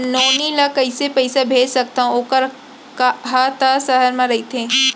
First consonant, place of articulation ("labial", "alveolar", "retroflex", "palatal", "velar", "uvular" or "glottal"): alveolar